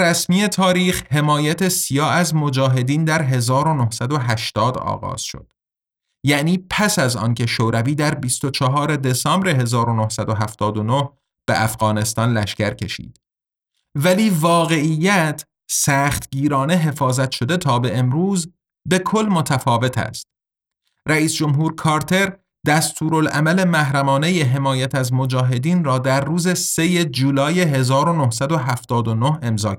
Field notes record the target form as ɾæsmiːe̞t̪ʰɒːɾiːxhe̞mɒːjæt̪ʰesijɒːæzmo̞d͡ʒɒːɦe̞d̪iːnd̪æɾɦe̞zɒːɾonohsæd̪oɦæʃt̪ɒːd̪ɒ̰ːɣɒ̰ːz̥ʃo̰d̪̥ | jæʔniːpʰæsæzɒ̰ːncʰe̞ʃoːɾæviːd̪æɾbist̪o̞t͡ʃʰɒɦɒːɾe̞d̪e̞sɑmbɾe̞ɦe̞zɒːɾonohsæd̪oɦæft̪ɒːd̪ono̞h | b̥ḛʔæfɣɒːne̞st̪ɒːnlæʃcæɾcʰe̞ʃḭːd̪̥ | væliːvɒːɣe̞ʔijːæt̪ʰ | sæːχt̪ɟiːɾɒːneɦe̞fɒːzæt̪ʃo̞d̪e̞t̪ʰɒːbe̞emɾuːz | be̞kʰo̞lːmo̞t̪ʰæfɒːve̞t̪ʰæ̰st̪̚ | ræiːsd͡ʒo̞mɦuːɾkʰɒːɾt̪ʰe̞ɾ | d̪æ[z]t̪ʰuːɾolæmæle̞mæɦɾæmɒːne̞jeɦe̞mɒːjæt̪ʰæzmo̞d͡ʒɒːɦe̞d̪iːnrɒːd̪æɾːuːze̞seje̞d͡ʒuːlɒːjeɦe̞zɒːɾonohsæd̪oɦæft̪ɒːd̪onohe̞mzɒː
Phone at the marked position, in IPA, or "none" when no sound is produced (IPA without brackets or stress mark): s